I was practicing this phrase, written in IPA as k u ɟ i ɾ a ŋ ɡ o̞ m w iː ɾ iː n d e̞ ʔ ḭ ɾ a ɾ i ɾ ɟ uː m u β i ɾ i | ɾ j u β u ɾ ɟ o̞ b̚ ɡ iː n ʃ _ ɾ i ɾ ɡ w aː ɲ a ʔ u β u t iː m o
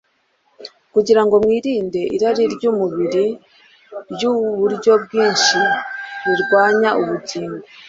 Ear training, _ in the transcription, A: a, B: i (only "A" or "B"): B